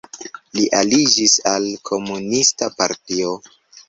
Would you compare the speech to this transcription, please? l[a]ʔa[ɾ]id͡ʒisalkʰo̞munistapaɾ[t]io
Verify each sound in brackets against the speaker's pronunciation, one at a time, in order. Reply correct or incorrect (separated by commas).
incorrect, incorrect, correct